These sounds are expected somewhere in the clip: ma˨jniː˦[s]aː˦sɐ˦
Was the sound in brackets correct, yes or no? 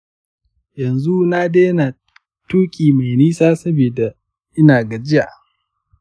yes